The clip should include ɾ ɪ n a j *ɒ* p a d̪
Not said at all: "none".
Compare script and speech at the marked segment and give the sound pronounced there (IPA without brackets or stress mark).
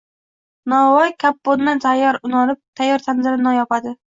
ɒ